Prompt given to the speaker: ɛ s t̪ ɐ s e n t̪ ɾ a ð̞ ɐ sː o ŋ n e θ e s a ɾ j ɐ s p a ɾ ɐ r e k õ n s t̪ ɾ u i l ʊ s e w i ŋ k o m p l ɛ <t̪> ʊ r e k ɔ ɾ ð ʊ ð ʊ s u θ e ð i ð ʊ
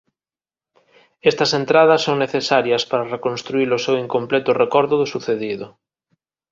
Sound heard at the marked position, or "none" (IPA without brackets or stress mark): t̪